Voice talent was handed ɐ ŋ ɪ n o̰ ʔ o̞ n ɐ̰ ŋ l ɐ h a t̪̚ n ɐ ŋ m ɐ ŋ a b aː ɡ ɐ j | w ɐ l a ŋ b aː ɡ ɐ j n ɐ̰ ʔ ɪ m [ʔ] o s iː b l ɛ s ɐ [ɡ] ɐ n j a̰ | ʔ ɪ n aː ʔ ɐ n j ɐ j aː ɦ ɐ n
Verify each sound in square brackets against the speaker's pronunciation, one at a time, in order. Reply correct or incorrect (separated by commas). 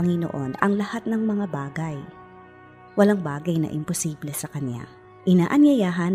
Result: incorrect, incorrect